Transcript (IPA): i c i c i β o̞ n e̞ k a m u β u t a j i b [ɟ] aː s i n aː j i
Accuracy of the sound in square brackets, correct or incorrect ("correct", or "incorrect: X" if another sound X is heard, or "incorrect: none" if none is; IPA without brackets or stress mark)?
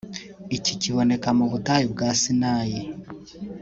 incorrect: ɡ